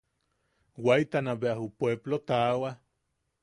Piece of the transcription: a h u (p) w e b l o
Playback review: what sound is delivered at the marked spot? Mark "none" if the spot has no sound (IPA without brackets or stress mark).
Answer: p